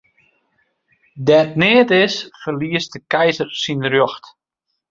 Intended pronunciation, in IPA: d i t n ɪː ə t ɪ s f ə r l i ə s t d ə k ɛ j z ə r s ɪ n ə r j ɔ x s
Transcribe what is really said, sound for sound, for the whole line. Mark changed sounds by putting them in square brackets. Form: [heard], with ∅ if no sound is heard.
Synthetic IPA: d [ɛ] t n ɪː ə t ɪ s f ə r l i ə s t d ə k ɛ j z ə r s [i] n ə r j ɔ x [t]